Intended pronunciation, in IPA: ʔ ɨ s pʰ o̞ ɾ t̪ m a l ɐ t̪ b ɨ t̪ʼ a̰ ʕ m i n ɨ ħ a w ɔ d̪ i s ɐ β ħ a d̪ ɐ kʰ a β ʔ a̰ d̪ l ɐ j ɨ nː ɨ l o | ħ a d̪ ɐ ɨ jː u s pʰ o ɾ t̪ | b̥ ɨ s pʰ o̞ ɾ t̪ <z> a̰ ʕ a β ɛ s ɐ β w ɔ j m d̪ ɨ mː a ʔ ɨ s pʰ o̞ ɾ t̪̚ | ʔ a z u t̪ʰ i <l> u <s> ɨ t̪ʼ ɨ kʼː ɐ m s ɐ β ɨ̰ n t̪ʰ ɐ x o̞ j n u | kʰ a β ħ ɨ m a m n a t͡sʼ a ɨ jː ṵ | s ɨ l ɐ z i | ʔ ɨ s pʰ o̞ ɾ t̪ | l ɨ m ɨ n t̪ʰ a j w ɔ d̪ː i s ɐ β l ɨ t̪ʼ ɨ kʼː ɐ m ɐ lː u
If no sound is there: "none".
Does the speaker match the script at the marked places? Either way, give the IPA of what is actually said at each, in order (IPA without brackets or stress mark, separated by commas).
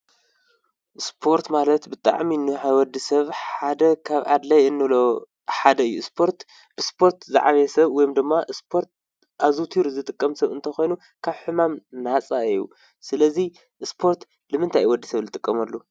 z, ɾ, z